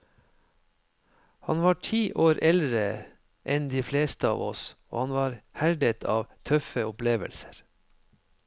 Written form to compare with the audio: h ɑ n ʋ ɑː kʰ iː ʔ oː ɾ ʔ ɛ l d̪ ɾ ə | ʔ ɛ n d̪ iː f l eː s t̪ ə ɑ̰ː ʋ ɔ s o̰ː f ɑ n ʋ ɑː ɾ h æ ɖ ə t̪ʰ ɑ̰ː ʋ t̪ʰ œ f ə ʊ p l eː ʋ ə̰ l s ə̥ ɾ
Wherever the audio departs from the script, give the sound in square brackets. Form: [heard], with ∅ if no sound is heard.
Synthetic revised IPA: h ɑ n ʋ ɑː [ʈʰ] iː ʔ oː ɾ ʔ ɛ l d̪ ɾ ə | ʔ ɛ n d̪ iː f l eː s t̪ ə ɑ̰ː ʋ ɔ s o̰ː [h] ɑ n ʋ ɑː ɾ h æ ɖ ə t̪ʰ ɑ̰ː ʋ t̪ʰ œ f ə ʊ p l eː ʋ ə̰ l s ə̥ ɾ

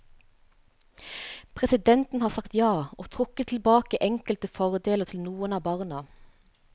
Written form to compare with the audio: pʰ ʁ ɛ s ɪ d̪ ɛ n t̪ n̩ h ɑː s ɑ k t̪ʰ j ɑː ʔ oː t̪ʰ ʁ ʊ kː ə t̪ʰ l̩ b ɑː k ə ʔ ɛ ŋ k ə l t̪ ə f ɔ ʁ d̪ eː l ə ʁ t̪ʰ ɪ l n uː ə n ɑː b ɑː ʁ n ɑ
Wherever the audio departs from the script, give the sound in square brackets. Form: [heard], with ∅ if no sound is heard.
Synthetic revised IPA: pʰ ʁ ɛ s ɪ d̪ ɛ n t̪ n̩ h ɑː s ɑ k [t̪] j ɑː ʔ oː t̪ʰ ʁ ʊ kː ə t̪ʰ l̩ b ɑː k ə ʔ ɛ ŋ k ə l t̪ ə f ɔ ʁ d̪ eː l ə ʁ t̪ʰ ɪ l n uː ə n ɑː b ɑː ʁ n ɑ

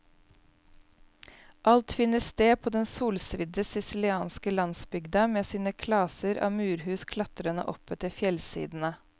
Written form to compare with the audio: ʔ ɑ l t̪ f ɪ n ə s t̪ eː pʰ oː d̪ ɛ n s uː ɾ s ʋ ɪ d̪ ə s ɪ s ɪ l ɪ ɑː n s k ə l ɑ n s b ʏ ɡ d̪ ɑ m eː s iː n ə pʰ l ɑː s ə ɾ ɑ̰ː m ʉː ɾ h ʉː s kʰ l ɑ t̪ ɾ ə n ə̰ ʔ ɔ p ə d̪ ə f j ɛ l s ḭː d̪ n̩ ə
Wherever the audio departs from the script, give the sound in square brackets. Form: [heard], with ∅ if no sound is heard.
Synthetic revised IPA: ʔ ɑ l t̪ f ɪ n ə s t̪ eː pʰ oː d̪ ɛ n s uː [l] s ʋ ɪ d̪ ə s ɪ s ɪ l ɪ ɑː n s k ə l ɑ n s b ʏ ɡ d̪ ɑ m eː s iː n ə [kʰ] l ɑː s ə ɾ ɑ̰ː m ʉː ɾ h ʉː s kʰ l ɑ t̪ ɾ ə n ə̰ ʔ ɔ p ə [t̪] ə f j ɛ l s ḭː d̪ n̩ ə

